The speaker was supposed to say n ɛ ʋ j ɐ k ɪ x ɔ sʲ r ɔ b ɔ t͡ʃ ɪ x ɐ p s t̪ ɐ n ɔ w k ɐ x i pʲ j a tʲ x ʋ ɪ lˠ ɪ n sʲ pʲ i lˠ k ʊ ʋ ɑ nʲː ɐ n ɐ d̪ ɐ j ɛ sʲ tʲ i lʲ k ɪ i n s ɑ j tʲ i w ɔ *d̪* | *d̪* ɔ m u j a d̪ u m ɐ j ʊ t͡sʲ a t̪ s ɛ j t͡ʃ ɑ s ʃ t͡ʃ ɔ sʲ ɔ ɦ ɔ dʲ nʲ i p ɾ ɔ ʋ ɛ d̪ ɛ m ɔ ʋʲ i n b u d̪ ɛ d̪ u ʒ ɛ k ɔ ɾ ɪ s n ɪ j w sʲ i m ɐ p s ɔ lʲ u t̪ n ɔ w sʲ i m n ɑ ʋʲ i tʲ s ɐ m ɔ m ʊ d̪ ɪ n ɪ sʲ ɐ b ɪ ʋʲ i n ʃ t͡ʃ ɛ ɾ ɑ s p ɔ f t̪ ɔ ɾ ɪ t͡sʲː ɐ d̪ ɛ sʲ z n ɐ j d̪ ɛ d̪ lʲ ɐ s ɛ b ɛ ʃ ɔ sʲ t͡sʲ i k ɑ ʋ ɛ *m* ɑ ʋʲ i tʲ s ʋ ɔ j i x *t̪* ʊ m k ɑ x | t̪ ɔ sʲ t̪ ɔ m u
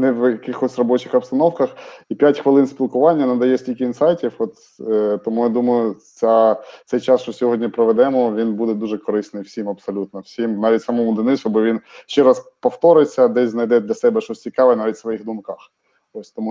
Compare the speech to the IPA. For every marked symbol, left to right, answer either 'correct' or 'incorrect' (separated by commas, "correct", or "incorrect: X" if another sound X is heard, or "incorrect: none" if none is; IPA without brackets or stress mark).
incorrect: t̪, incorrect: t̪, incorrect: n, incorrect: d̪